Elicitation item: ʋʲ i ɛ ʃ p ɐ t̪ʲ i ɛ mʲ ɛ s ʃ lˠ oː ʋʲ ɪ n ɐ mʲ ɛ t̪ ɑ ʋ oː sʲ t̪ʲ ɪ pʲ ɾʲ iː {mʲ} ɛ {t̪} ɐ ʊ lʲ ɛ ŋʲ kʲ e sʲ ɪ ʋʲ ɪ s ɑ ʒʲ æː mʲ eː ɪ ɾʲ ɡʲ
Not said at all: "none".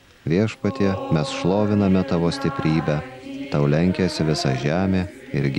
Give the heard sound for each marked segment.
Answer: bʲ, t̪

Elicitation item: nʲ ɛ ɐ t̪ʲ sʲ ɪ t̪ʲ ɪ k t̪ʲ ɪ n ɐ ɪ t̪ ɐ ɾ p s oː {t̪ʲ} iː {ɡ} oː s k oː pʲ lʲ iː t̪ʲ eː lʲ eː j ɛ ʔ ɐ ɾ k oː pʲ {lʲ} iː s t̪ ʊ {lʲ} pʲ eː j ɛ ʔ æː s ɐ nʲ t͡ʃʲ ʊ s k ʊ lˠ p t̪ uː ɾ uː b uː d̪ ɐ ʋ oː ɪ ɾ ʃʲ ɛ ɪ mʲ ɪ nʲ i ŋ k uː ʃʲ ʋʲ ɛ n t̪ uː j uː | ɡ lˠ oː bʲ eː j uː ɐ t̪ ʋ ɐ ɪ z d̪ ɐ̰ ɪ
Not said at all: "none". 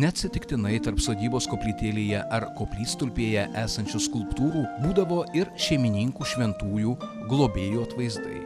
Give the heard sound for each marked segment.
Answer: d̪ʲ, b, lʲ, lʲ

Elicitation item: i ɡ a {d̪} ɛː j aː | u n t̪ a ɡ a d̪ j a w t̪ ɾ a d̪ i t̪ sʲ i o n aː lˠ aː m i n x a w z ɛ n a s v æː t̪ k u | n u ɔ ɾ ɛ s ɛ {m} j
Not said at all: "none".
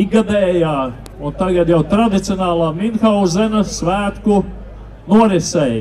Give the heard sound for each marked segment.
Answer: d̪, none

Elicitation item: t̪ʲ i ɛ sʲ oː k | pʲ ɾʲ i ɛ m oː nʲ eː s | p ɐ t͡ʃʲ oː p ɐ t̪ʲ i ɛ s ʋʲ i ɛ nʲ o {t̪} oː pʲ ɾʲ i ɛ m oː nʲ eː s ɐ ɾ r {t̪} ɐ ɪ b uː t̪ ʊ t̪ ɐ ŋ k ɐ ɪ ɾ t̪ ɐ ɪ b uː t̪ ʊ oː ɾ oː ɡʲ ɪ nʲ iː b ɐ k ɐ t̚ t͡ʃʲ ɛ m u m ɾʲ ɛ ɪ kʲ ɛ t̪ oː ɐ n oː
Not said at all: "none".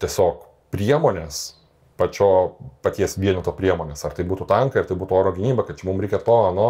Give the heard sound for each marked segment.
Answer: t̪, t̪

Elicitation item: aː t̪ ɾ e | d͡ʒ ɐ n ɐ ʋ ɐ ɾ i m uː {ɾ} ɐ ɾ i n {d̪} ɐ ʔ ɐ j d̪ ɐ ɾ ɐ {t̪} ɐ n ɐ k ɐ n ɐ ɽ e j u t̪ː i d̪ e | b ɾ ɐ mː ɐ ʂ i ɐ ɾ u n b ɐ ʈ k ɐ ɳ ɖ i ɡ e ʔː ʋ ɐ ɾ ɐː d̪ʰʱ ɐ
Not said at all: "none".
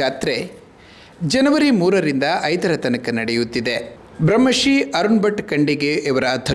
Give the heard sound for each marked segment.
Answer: ɾ, d̪, t̪

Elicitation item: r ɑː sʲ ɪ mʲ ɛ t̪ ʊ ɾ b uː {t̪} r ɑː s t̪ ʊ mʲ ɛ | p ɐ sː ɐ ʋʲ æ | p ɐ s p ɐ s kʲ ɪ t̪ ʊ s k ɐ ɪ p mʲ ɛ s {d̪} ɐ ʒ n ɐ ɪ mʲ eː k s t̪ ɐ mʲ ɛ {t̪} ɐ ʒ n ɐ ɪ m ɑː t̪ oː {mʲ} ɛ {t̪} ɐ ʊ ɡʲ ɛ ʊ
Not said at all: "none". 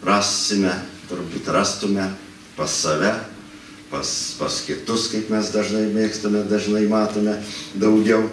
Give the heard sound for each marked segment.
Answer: t̪, d̪, d̪, mʲ, d̪

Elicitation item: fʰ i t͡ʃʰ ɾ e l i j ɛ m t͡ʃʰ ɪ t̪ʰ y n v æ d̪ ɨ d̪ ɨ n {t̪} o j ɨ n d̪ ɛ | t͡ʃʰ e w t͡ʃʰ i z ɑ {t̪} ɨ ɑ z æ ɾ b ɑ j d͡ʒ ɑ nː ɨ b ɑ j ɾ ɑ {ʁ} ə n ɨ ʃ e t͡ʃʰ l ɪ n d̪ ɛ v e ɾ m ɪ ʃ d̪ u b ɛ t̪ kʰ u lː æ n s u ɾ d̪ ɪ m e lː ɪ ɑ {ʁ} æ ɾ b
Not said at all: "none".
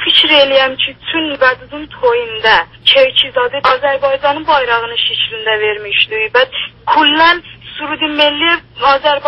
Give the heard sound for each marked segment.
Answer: t̪ʰ, d̪, ʁ, z

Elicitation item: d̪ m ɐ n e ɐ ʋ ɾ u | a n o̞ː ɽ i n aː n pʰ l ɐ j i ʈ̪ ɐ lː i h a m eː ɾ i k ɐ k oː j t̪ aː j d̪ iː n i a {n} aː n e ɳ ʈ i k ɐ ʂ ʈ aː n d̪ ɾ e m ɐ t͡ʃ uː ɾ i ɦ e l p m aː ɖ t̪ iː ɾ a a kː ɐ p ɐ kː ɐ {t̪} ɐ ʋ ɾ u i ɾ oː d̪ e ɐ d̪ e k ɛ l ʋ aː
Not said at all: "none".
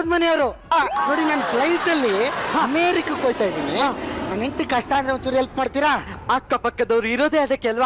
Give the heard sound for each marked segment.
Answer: n, d̪

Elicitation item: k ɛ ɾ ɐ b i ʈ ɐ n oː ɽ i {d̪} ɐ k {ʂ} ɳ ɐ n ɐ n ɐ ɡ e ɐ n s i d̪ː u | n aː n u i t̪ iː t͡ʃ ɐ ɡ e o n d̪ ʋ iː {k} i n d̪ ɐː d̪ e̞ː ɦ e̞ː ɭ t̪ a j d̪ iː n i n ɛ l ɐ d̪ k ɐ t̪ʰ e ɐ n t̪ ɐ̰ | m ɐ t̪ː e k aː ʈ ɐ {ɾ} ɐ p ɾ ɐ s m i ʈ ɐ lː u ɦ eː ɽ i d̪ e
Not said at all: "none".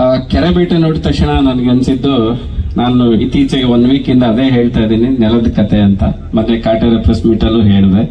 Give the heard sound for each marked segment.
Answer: t̪, ʂ, k, ɾ

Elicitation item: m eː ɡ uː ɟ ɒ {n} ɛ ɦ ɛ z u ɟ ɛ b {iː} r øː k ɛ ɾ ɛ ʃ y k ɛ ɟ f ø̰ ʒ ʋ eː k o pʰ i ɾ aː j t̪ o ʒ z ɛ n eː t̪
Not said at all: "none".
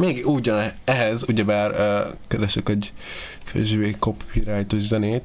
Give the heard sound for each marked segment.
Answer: n, aː

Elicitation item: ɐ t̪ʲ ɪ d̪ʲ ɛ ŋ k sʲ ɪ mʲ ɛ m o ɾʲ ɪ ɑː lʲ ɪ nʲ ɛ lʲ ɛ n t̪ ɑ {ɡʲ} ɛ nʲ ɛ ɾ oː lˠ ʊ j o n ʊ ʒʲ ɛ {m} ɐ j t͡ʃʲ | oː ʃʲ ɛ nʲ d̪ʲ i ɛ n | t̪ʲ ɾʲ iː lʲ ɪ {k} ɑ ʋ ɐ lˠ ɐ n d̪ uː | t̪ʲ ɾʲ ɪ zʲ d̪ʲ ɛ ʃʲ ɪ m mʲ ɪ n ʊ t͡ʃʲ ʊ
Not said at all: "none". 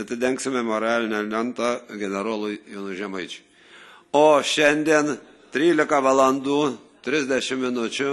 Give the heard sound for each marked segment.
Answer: ɡʲ, m, k

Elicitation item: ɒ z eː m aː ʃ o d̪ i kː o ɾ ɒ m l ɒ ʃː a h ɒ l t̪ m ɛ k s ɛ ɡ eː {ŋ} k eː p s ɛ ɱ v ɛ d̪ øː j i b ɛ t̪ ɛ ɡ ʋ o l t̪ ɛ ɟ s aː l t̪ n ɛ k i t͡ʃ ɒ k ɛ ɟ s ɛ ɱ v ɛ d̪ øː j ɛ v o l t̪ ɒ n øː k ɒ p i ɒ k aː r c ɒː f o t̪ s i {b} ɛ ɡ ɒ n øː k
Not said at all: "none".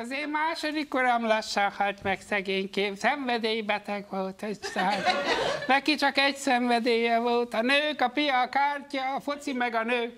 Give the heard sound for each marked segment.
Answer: ɲ, m

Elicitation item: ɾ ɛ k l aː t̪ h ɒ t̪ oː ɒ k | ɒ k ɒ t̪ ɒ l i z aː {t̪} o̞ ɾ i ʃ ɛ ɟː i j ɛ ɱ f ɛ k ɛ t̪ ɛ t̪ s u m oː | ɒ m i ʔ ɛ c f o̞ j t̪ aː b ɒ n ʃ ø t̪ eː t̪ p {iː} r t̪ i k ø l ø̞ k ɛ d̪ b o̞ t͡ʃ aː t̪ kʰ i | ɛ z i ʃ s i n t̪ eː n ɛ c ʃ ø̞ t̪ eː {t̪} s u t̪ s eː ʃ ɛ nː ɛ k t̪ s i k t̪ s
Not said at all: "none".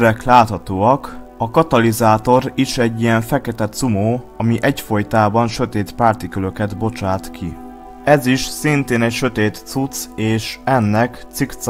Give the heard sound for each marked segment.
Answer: t̪, aː, t̪

